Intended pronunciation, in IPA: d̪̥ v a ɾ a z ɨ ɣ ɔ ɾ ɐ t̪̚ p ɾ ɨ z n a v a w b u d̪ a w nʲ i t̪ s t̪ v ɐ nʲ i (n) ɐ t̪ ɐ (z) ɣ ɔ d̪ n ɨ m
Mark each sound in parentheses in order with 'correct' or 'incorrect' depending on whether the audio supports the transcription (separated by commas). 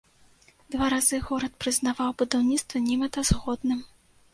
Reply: incorrect, correct